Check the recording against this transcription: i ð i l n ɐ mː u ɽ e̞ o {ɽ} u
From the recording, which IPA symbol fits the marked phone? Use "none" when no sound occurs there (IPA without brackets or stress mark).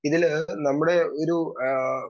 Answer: ɾ